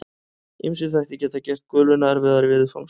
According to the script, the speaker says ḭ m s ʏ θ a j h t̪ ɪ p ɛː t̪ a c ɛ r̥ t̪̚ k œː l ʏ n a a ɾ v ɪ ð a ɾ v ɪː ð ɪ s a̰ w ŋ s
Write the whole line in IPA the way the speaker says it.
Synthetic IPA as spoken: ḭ m s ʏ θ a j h t̪ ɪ c ɛː t̪ a c ɛ r̥ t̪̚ k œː l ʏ n a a ɾ v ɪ ð a ɾ v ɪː ð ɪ f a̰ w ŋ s